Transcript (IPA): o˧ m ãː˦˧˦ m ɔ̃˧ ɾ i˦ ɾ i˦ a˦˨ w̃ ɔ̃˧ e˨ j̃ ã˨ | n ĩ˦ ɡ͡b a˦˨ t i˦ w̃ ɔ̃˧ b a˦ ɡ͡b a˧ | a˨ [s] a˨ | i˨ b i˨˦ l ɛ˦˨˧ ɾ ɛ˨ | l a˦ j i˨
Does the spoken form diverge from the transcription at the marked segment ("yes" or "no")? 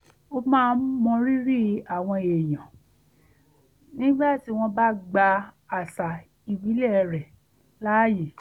no